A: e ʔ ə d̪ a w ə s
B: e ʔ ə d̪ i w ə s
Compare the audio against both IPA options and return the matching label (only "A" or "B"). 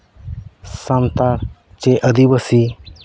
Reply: B